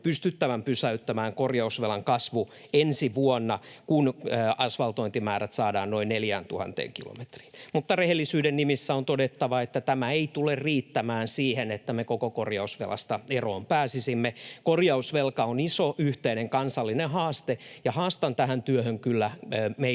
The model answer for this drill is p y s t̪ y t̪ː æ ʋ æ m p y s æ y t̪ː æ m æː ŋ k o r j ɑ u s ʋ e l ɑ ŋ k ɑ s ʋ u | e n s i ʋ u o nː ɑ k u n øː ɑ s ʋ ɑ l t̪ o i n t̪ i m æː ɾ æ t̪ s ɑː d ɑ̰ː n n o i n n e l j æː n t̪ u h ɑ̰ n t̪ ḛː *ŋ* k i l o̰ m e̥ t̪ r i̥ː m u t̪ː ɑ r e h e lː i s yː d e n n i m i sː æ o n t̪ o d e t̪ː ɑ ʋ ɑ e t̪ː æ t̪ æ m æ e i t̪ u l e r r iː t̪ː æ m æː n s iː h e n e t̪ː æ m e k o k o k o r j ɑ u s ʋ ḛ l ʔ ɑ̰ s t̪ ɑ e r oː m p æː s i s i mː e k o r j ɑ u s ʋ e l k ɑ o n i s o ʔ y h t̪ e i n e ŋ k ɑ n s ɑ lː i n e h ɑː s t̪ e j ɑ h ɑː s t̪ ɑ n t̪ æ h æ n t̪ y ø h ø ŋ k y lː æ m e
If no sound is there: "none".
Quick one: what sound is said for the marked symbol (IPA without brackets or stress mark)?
ŋ